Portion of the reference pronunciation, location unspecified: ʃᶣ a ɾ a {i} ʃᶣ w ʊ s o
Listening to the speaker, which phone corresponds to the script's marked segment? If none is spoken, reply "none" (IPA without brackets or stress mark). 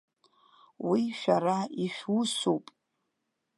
i